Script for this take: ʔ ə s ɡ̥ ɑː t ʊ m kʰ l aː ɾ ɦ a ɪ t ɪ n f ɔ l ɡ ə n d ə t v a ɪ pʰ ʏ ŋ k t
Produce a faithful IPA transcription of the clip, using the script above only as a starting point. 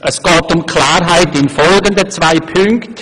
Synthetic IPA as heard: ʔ ə s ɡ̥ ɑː t ʊ m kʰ l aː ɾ ɦ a ɪ t ɪ n f ɔ l ɡ ə n d ə t͡s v a ɪ pʰ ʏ ŋ k t

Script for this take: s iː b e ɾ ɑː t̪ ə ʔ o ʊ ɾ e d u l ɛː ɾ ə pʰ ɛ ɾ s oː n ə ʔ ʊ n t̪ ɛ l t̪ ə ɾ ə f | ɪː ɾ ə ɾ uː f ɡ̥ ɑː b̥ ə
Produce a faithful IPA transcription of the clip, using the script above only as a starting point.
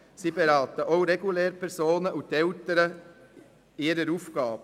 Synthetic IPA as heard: s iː b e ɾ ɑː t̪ ə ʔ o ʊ ɾ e ɡ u l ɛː ɾ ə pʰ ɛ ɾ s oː n ə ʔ ʊ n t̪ ɛ l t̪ ə ɾ ə | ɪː ɾ ə ɾ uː f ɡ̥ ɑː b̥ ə

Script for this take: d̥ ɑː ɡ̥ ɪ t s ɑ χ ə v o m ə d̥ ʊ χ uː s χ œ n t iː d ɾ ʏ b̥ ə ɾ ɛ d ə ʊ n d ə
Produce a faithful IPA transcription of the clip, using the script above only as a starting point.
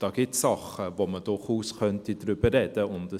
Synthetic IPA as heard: d̥ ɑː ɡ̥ ɪ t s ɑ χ ə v o m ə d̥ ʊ χ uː s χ œ n t i d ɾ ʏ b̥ ə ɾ ɛ d ə ʊ n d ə

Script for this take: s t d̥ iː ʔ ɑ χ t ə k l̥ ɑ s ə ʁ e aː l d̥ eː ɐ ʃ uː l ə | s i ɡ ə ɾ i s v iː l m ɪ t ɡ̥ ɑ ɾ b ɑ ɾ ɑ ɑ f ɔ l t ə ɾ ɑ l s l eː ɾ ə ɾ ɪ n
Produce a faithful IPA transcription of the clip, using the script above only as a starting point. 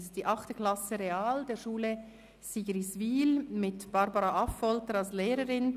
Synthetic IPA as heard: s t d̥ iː ʔ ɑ χ t ə k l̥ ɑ s ə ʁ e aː l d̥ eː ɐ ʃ uː l ə | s i ɡ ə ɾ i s v iː l m ɪ t b̥ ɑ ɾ b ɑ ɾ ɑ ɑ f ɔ l t ə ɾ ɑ l s l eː ɾ ə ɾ ɪ n

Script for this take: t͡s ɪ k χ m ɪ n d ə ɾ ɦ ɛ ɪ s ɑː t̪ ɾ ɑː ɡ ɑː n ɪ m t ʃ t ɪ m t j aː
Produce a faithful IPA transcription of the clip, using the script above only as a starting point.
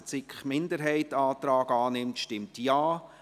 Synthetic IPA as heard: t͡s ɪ k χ m ɪ n d ə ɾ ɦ ɛ ɪ t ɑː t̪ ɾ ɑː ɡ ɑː n ɪ m t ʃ t ɪ m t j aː

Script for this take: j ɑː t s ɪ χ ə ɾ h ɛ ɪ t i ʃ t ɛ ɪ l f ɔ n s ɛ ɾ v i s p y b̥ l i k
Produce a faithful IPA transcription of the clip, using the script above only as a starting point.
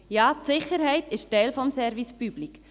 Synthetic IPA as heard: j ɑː t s ɪ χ ə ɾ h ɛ ɪ t ɪ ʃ t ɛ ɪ l f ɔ m s ɛ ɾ v i s p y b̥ l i k

